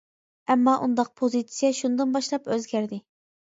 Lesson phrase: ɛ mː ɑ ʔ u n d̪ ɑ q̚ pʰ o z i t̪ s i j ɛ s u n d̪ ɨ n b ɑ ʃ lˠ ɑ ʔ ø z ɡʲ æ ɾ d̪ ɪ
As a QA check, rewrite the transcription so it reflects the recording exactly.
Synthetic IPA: ɛ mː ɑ ʔ u n d̪ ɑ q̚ pʰ o z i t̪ s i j ɛ ʃ u n d̪ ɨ n b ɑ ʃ lˠ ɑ p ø z ɡʲ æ ɾ d̪ ɪ